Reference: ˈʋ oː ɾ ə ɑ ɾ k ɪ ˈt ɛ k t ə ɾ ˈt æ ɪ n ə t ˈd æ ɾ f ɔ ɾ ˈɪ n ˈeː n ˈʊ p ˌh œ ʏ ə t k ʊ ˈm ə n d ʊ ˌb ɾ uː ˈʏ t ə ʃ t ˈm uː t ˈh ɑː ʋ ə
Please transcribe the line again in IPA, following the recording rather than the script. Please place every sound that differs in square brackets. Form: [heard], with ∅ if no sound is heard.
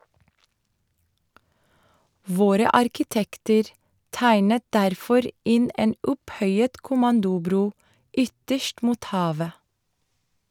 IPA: ˈʋ oː ɾ ə ɑ ɾ k ɪ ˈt ɛ k t ə ɾ ˈt æ ɪ n ə t ˈd æ ɾ f ɔ ɾ ˈɪ n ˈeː n ˈʊ p ˌh œ ʏ ə t k ʊ ˈm [ɑ] n d ʊ ˌb ɾ uː ˈʏ t ə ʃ t ˈm uː t ˈh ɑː ʋ ə